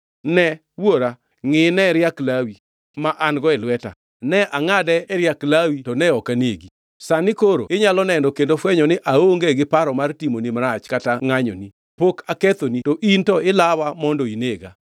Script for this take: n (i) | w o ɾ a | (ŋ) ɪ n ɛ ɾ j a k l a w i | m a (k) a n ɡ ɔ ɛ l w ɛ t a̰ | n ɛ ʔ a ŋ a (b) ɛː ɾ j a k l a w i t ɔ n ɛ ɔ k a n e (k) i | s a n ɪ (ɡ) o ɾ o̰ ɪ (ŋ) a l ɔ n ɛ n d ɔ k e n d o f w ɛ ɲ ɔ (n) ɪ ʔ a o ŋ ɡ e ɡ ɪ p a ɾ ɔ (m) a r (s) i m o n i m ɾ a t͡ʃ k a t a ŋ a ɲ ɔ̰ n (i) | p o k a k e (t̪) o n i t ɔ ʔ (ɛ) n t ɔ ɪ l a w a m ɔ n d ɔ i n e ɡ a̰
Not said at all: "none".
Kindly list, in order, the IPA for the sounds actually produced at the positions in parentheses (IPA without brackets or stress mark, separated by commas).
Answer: ɛ, ŋ, ʔ, d, ɡ, k, ɲ, n, m, t, i, t̪, i